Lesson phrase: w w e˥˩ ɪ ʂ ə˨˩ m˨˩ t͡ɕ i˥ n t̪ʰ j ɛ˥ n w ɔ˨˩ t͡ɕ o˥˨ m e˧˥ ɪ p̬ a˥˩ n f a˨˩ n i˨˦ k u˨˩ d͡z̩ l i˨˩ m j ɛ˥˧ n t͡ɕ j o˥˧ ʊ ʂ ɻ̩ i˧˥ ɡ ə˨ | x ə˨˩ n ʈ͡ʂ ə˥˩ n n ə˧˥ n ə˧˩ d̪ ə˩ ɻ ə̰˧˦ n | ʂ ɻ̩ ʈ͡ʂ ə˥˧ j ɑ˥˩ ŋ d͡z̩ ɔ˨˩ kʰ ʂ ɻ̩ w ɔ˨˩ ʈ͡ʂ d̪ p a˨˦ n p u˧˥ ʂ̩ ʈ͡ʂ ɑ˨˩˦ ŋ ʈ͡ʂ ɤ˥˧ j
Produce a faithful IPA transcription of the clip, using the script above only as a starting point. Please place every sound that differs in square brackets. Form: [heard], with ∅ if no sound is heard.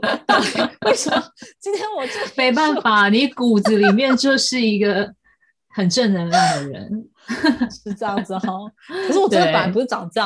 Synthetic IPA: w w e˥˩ ɪ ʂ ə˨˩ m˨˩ t͡ɕ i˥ n t̪ʰ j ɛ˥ n w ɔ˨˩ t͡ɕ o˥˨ m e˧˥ ɪ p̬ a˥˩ n f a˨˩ n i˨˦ k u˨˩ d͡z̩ l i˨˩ m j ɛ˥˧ n t͡ɕ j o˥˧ ʊ ʂ ɻ̩ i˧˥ ɡ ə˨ | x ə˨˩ n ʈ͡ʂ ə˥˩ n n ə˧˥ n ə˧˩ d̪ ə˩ ɻ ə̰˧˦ n | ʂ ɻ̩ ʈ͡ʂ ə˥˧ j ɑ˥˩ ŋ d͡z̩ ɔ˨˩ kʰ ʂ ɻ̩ w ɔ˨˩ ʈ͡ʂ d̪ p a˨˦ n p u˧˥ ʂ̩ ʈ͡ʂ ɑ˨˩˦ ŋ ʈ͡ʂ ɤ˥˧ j